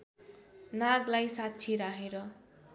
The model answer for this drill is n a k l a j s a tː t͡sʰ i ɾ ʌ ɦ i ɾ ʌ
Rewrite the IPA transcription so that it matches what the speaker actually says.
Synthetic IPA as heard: n a ɡ l a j s a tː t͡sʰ i ɾ a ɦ e ɾ ʌ